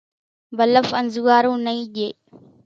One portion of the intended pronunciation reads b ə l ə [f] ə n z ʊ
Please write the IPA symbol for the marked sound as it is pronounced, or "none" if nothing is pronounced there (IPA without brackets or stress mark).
f